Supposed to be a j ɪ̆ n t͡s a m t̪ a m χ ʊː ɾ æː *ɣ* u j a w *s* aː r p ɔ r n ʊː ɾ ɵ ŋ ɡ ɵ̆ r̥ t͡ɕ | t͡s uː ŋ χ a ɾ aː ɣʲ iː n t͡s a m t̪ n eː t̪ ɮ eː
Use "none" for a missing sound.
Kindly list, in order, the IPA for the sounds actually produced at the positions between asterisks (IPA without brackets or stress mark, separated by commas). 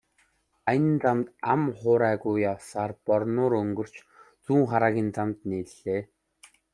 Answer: ɣ, s